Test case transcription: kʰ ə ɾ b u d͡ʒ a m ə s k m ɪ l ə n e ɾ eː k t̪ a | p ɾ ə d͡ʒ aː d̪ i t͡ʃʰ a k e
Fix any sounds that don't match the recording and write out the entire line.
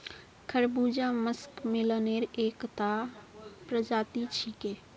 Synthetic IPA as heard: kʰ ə ɾ b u d͡ʒ a m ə s k m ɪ l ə n e ɾ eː k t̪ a | p ɾ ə d͡ʒ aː t̪ i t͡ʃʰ i k e